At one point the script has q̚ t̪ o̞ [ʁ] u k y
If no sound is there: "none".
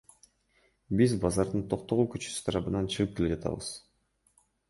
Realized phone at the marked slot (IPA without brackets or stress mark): ʁ